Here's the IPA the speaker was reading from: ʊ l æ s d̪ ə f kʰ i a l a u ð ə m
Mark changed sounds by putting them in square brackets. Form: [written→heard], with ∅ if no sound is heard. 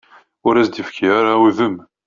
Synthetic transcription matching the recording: ʊ [l→ɾ] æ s d̪ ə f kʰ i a [l→ɾ] a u ð ə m